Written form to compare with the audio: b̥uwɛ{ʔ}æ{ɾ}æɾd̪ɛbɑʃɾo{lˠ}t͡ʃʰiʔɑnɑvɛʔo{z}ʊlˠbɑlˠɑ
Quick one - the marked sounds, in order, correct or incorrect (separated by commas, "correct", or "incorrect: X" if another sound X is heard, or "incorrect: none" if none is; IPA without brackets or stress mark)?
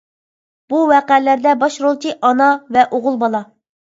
incorrect: q, incorrect: l, correct, incorrect: ʁ